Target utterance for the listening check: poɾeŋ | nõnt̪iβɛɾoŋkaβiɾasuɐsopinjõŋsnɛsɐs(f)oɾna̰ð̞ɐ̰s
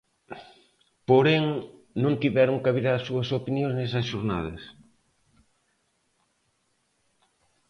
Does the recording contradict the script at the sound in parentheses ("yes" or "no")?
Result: yes